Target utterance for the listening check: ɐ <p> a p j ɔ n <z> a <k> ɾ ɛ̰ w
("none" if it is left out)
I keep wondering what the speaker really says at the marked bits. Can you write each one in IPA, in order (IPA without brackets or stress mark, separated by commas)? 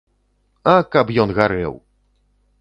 k, ɣ, none